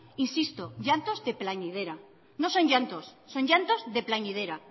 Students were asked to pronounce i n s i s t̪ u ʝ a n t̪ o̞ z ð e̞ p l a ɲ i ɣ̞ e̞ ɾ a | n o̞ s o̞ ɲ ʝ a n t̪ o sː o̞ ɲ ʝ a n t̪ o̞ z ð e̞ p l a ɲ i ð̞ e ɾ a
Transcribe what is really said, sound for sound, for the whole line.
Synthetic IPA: i n s i s t̪ o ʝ a n t̪ o̞ z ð e̞ p l a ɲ i ð̞ e̞ ɾ a | n o̞ s o̞ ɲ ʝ a n t̪ o sː o̞ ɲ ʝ a n t̪ o̞ z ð e̞ p l a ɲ i ð̞ e ɾ a